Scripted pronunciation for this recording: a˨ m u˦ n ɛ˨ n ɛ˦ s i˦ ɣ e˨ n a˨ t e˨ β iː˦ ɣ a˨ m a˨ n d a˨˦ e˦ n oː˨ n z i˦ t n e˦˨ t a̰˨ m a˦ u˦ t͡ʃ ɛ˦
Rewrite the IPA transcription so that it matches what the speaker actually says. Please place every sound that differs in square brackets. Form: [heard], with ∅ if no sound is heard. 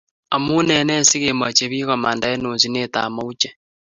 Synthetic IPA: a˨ m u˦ n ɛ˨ n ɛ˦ s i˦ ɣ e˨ [m] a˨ [t͡ʃ] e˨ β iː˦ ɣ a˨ m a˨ n d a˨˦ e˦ n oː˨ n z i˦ [∅] n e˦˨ t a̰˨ m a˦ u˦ t͡ʃ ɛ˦